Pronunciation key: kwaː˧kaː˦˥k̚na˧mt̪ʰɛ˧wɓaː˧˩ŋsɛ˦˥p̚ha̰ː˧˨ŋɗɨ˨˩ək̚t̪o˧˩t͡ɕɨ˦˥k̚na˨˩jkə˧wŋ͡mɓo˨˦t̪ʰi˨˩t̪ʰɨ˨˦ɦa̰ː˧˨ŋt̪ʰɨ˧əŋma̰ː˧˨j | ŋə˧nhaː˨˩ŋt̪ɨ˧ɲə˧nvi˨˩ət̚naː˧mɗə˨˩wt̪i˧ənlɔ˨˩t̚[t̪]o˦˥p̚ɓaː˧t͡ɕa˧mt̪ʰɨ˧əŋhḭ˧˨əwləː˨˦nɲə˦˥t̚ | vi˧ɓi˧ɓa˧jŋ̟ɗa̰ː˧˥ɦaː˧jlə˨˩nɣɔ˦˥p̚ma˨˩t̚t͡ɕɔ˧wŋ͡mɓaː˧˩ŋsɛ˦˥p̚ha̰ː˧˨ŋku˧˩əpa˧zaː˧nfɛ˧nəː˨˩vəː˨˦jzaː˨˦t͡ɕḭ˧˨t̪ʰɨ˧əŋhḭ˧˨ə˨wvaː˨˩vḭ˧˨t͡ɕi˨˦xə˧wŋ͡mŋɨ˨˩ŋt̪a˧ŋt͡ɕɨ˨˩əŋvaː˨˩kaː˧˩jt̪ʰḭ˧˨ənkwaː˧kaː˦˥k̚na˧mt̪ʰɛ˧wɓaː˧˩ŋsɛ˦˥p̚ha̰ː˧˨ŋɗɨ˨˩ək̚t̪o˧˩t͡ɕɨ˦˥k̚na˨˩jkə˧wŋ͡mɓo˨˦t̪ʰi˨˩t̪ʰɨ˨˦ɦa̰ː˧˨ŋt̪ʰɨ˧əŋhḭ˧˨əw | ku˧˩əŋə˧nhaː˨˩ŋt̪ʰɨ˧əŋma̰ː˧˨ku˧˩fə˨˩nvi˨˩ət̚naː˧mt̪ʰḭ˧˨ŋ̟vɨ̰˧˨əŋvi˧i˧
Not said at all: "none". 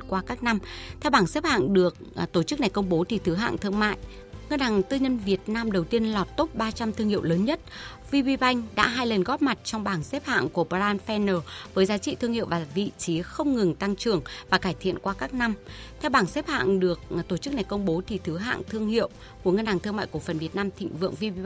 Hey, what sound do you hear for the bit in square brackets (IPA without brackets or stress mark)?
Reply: t̪